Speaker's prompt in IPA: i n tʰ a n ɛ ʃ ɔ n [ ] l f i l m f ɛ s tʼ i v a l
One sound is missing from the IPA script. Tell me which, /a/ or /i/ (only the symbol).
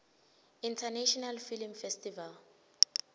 a